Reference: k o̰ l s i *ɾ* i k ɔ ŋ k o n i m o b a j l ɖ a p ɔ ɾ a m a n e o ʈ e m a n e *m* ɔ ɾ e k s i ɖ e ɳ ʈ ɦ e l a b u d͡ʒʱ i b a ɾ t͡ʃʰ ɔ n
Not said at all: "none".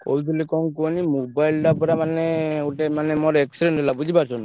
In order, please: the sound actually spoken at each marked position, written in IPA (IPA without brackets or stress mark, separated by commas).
l, m